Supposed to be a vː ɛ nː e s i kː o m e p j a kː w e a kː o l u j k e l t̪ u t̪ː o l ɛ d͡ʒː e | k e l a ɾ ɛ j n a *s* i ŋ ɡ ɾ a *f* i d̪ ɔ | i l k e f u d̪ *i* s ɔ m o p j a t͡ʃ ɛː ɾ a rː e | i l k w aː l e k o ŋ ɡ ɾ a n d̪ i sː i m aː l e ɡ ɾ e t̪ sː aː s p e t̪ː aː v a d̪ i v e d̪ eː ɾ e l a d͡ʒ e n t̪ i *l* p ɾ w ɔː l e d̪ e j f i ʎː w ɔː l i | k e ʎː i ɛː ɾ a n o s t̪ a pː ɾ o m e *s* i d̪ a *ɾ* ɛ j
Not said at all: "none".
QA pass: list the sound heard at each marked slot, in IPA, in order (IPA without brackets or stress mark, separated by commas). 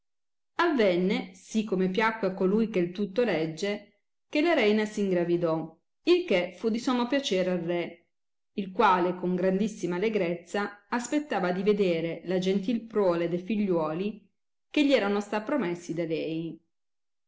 s, v, i, l, sː, l